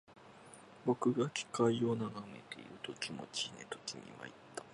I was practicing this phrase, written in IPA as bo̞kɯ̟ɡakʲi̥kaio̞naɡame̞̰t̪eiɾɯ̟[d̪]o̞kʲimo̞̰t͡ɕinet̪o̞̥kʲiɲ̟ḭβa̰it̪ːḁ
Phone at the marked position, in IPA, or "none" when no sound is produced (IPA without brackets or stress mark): t̪